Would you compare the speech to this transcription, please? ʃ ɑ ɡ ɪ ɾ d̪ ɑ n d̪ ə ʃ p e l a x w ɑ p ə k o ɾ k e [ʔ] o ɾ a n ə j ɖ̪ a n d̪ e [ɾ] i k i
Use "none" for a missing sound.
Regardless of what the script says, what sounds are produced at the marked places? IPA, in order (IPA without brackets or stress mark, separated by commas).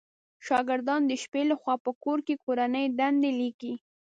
k, l